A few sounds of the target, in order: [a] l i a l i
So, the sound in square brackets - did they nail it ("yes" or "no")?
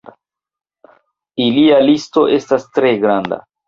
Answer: no